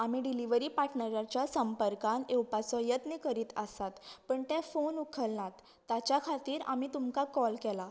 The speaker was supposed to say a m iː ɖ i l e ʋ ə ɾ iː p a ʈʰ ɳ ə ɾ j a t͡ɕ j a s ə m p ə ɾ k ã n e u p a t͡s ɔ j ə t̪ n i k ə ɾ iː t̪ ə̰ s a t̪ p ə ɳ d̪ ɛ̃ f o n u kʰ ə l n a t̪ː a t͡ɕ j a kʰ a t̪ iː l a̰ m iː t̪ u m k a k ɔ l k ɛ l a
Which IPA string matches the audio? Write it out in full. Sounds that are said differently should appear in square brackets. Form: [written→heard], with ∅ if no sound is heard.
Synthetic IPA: a m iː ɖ i l [e→i] ʋ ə ɾ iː p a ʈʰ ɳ ə ɾ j a t͡ɕ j a s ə m p ə ɾ k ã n e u p a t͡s ɔ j ə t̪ n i k ə ɾ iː t̪ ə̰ s a t̪ p ə ɳ [d̪→t̪] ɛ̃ f o n u kʰ ə l n a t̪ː a t͡ɕ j a kʰ a t̪ iː [l→ɾ] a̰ m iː t̪ u m k a k ɔ l k ɛ l a